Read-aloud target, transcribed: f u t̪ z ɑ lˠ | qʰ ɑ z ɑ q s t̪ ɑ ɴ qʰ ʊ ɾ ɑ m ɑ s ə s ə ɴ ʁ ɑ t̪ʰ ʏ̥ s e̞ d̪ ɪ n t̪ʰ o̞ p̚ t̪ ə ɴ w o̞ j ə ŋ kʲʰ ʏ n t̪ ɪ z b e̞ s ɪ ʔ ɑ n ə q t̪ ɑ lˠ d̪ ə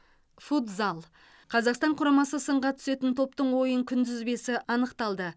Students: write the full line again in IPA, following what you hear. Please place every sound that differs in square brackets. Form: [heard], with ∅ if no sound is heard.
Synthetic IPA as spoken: f u t̪ z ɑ lˠ | qʰ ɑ z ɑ q s t̪ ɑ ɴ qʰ ʊ ɾ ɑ m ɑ s ə s ə ɴ ʁ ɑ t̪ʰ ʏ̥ s e̞ [t̪] ɪ n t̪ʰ o̞ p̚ t̪ ə ɴ w o̞ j ə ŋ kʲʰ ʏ n [d̪] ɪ z b e̞ s ɪ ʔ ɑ n ə q t̪ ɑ lˠ d̪ ə